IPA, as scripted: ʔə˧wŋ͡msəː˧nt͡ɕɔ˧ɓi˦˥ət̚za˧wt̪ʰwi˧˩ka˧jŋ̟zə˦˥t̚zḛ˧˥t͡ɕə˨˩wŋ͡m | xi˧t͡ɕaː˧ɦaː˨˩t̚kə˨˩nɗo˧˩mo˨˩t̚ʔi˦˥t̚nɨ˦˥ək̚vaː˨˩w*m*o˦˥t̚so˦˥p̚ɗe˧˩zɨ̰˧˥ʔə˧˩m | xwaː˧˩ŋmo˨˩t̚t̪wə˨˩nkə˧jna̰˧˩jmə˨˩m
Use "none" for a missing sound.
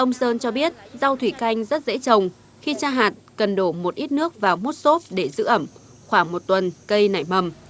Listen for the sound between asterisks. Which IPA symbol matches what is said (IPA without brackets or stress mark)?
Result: m